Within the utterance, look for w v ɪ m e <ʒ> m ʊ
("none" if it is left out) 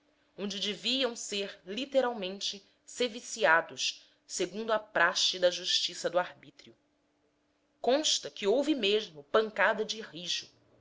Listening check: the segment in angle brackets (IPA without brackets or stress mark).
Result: ʒ